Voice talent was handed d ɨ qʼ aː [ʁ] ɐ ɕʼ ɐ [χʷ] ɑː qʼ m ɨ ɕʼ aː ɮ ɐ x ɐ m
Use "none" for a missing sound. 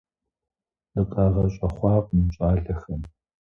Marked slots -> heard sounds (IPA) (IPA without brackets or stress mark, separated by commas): ʁ, χʷ